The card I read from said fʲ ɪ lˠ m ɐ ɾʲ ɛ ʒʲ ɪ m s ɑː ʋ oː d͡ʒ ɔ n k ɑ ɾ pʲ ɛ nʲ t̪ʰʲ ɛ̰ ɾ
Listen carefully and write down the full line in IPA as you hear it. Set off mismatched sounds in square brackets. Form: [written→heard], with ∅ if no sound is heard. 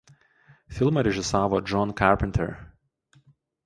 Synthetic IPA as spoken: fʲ ɪ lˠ m ɐ ɾʲ ɛ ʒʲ ɪ [m→∅] s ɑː ʋ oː d͡ʒ ɔ n k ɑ ɾ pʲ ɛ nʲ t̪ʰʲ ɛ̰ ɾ